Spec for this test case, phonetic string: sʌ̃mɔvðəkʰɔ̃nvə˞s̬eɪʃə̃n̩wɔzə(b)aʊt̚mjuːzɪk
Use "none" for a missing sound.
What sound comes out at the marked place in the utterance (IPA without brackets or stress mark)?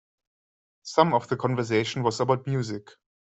b